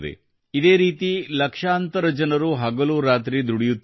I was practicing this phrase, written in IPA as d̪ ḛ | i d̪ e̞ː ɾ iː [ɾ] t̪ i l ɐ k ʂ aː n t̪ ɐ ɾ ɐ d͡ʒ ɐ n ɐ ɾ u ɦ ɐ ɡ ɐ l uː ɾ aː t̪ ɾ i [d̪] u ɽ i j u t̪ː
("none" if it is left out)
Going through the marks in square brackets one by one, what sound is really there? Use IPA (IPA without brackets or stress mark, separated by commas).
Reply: none, d̪